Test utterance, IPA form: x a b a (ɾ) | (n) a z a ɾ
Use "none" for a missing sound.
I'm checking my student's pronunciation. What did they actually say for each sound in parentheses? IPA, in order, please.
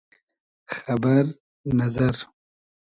ɾ, n

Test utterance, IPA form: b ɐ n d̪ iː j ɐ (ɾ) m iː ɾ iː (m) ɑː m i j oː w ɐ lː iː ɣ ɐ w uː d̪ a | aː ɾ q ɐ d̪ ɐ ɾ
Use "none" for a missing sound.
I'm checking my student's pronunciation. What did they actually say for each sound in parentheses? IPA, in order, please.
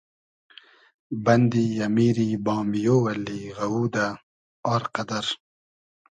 none, b

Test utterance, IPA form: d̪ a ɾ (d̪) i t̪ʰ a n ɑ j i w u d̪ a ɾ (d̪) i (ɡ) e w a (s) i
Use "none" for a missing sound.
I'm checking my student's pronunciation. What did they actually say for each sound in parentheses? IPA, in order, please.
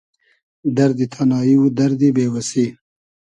d̪, d̪, b, s

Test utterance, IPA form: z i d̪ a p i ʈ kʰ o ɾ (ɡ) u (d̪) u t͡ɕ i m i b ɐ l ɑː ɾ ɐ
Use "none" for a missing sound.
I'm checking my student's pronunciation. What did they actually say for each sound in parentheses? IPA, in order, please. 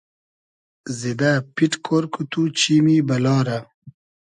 k, t̪

